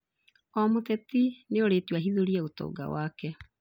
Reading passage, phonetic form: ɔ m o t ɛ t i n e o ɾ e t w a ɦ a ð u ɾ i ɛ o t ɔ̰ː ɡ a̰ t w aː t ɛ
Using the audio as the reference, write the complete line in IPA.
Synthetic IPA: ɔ m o t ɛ t i n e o ɾ e t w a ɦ i ð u ɾ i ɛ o t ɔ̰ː ɡ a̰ w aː k ɛ